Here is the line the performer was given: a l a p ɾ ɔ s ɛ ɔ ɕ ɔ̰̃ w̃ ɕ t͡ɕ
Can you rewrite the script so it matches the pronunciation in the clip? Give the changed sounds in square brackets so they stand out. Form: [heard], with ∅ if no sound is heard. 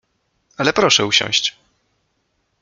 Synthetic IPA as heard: a l [ɛ] p ɾ ɔ [ʂ] ɛ [u] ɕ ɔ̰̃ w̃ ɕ t͡ɕ